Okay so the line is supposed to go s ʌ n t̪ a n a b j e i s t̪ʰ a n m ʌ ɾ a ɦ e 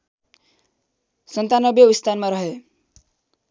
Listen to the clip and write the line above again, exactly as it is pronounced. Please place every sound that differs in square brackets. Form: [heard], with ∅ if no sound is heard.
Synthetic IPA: s ʌ n t̪ a n [ʌ] b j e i s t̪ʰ a n m [a] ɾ [ʌ] ɦ e

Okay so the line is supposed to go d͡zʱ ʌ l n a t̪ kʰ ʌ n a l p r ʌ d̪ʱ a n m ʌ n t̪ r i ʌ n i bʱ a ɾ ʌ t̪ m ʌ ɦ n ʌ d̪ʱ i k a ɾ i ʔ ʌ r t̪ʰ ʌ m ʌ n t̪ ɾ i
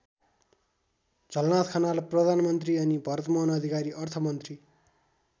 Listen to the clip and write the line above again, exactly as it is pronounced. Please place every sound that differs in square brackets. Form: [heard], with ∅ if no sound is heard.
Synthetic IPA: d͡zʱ ʌ l n a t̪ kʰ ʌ n a l p r ʌ d̪ʱ a n m ʌ n t̪ r i ʌ n i bʱ [ʌ] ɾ ʌ t̪ m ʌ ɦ n ʌ d̪ʱ i k a ɾ i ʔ ʌ r t̪ʰ ʌ m ʌ n t̪ [r] i

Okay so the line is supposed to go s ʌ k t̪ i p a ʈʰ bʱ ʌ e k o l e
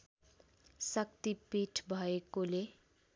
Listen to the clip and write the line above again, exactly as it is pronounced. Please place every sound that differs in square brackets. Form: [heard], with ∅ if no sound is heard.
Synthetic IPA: s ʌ k t̪ i p [i] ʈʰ bʱ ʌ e k o l e

